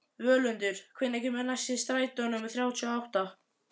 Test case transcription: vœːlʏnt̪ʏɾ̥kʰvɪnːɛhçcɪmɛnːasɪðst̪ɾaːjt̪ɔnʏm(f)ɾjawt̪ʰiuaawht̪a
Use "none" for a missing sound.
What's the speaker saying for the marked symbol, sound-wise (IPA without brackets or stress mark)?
θ